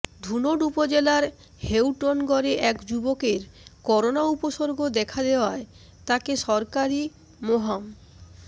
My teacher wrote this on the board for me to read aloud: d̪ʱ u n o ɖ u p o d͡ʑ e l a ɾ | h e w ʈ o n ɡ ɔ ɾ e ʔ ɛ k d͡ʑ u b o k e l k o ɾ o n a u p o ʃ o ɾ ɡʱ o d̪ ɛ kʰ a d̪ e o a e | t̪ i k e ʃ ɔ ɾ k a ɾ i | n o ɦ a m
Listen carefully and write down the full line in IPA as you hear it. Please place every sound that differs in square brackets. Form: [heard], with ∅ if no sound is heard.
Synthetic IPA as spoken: d̪ʱ u n o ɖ u p o d͡ʑ e l a ɾ | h e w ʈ o n ɡ ɔ ɾ e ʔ ɛ k d͡ʑ u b o k e [ɾ] k [ɔ] ɾ o n a u p o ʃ o ɾ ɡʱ o d̪ ɛ kʰ a d̪ e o a e | t̪ [a] k e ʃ ɔ ɾ k a ɾ i | [m] o ɦ a m